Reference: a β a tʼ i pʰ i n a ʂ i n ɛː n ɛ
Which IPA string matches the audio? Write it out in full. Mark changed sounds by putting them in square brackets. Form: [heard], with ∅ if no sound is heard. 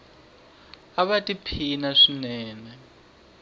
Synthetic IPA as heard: a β a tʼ i pʰ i n a ʂ i n ɛː n ɛ